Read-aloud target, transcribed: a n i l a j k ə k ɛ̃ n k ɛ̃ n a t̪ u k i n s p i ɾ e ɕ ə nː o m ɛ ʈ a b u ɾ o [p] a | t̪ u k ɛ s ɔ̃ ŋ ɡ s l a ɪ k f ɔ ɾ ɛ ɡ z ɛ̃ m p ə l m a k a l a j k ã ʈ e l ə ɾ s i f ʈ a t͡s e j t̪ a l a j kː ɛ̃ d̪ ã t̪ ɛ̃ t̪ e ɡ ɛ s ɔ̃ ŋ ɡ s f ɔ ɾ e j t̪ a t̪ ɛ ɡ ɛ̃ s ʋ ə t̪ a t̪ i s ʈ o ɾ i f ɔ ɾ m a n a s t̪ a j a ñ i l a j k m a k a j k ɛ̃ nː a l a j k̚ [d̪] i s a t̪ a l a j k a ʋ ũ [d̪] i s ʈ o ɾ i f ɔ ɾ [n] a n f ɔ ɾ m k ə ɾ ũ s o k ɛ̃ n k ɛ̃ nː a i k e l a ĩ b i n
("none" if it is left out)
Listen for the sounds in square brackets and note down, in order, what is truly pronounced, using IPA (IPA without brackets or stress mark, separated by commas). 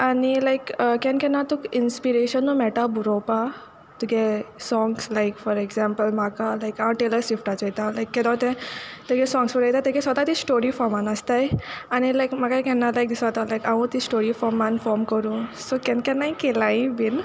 p, d̪, t̪, m